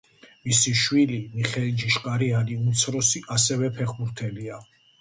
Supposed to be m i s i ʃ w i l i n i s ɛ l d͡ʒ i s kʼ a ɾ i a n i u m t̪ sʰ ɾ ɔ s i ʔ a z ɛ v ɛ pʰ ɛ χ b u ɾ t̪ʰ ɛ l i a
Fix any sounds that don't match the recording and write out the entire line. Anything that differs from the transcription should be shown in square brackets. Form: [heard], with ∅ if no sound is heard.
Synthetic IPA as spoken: m i s i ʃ w i l i [m] i [χ] ɛ l d͡ʒ i [ʃ] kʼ a ɾ i a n i u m t̪ sʰ ɾ ɔ s i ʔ a [s] ɛ v ɛ pʰ ɛ χ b u ɾ t̪ʰ ɛ l i a